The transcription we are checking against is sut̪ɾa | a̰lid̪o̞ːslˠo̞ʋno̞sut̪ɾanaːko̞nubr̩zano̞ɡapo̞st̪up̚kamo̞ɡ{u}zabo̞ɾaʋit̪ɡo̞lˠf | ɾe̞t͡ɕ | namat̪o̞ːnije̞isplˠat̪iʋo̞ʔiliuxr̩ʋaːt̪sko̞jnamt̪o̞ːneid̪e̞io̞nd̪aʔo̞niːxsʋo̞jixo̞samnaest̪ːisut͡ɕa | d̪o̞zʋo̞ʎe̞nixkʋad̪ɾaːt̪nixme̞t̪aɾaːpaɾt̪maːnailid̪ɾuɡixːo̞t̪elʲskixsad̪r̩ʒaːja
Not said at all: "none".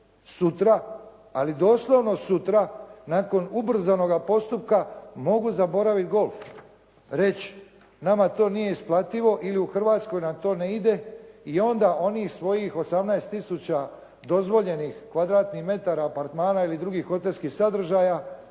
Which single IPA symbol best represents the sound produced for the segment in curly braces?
u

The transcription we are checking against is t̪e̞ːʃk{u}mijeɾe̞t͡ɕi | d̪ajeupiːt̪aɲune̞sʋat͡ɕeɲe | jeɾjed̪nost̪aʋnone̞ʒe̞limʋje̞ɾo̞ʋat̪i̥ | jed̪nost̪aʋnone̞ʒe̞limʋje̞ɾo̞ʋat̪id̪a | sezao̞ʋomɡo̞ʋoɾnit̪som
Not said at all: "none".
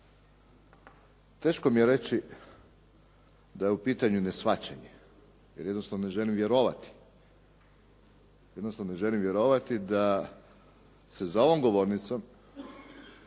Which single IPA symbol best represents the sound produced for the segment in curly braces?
o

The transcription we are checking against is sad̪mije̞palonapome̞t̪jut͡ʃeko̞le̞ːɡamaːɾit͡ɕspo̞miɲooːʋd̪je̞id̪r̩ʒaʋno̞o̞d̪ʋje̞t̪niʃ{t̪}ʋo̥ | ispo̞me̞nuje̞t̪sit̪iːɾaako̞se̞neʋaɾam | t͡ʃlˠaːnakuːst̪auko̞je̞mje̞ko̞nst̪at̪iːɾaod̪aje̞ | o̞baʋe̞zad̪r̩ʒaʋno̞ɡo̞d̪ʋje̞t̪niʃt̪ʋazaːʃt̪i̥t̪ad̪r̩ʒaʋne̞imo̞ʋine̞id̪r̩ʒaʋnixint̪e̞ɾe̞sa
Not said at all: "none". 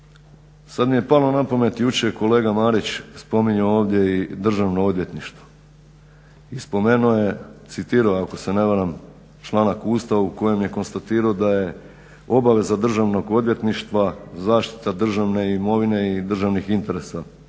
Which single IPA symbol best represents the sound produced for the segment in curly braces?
t̪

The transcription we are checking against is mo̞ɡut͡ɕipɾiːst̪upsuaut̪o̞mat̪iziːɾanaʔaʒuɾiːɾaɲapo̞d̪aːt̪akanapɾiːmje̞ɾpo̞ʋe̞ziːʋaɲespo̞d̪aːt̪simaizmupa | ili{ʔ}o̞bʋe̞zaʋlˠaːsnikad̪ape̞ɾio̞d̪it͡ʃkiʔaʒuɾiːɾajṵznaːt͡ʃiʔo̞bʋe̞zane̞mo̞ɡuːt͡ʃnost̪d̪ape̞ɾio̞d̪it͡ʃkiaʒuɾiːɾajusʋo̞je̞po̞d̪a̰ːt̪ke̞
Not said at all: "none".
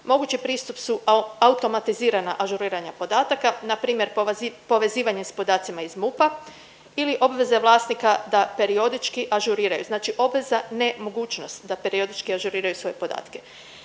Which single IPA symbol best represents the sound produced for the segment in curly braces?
ʔ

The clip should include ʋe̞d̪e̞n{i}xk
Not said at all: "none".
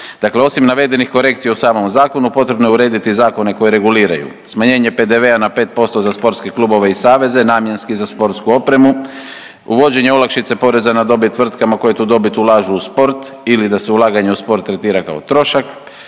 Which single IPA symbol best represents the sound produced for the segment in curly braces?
i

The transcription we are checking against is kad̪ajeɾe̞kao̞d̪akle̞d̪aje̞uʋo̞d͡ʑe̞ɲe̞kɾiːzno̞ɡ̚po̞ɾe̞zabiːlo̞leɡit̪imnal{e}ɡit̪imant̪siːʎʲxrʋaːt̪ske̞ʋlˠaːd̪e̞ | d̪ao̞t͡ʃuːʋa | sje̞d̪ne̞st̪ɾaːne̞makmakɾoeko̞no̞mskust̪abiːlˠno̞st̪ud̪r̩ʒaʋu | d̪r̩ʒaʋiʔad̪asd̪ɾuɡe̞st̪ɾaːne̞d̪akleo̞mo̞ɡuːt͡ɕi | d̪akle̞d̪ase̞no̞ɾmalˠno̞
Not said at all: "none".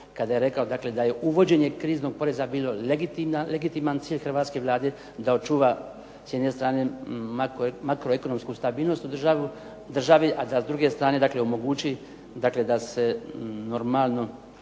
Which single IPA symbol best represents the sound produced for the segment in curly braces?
e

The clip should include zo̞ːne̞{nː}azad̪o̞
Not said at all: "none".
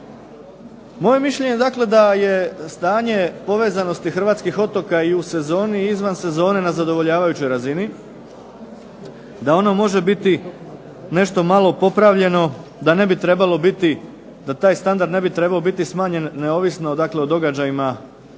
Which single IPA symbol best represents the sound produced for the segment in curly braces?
n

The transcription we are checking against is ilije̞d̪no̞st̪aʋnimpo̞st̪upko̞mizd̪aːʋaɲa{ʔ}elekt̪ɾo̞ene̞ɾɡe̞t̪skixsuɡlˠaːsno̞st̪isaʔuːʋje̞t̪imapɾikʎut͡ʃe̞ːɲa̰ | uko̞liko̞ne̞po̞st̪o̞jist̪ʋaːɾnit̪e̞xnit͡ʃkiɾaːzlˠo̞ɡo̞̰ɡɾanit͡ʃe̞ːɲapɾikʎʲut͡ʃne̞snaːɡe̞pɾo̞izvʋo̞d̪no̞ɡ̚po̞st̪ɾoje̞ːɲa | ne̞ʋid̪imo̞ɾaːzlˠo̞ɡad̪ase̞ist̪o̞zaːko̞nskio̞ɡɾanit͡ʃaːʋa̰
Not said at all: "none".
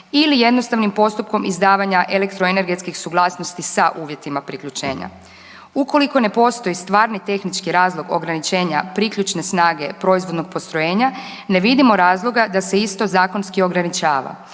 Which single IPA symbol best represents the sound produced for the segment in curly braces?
ʔ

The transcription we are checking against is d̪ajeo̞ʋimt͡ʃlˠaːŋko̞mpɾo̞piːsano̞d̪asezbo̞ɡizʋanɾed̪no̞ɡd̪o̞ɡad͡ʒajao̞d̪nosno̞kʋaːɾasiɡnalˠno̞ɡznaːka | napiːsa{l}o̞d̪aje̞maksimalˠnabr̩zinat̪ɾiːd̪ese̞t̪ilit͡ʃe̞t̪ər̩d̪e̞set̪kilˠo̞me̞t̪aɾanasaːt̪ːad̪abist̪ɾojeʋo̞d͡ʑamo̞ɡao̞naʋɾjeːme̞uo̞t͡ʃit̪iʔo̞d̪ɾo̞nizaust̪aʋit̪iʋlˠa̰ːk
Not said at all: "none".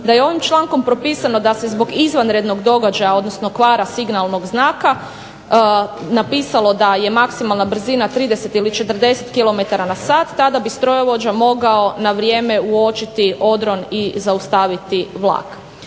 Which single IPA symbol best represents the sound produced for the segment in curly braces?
l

